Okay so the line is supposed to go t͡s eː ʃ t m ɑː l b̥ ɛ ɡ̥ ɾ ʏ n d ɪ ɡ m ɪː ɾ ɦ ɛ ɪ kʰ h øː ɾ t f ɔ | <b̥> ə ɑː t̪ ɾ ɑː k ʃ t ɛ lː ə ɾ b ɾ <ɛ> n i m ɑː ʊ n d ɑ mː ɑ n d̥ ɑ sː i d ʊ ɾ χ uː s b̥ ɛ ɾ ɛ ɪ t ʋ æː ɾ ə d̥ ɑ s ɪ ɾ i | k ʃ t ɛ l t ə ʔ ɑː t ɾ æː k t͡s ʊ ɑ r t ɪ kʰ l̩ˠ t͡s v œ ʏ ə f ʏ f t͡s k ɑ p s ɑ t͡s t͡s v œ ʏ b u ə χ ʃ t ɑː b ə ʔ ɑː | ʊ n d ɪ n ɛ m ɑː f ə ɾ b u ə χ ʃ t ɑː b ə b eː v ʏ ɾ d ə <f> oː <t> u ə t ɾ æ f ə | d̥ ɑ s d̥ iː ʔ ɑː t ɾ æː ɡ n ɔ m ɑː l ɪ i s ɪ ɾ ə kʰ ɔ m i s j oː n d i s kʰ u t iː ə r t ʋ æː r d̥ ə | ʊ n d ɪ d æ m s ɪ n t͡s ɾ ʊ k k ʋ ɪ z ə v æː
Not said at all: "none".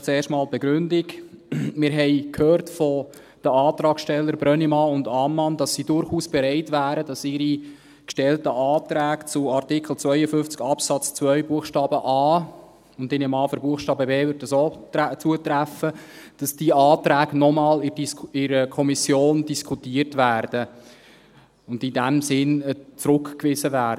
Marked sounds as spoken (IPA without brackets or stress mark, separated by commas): d̥, œ, s, t͡s